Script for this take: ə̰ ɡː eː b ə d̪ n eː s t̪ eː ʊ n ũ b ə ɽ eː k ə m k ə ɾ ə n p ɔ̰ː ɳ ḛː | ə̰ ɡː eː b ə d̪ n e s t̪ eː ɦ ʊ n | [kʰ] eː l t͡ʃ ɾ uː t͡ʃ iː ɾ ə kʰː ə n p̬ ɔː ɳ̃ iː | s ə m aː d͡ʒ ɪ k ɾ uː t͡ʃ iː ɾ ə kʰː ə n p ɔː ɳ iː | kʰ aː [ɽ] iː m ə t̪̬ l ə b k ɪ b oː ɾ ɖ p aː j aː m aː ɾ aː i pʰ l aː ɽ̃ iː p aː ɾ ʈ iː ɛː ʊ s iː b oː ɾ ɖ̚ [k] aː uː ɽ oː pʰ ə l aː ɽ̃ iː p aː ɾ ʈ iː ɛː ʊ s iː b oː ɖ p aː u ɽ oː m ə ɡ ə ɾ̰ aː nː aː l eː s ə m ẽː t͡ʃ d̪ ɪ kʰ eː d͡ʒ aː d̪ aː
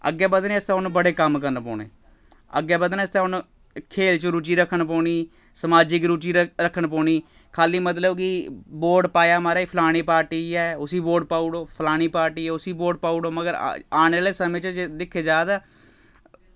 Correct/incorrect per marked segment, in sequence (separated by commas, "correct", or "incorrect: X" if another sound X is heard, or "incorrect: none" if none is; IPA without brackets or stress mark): correct, incorrect: l, incorrect: p